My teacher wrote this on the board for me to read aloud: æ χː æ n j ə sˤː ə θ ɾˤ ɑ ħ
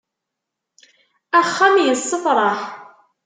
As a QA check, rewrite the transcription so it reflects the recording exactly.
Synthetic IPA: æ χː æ m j ə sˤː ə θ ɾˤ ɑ ħ